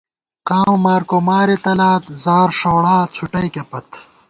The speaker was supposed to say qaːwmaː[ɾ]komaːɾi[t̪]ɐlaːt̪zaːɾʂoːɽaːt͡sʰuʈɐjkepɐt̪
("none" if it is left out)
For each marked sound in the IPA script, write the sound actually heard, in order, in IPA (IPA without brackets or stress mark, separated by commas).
ɾ, t̪